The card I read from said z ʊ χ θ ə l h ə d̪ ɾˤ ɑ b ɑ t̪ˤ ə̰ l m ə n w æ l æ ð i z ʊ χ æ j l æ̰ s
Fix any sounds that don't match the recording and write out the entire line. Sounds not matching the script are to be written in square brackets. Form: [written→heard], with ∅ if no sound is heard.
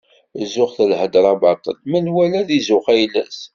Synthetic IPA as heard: z ʊ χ θ ə l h ə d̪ ɾˤ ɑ b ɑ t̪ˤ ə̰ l m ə n w æ l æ ð i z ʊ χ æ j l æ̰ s